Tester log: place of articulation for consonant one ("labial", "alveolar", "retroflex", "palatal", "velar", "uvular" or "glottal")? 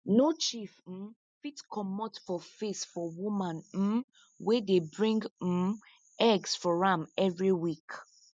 alveolar